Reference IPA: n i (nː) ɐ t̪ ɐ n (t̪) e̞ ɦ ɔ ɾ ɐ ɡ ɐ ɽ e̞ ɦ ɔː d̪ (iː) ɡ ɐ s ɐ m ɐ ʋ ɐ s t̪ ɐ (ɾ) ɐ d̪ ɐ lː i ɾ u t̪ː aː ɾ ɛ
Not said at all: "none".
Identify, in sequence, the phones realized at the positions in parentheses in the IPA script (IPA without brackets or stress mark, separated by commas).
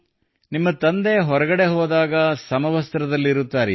mː, d̪, aː, ɾ